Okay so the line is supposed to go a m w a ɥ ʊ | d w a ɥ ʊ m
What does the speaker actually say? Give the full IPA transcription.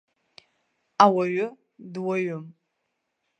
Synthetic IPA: a w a ɥ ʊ | d w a ɥ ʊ m